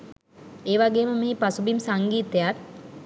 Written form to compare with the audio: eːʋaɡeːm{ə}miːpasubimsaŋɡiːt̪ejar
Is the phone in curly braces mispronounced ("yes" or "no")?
no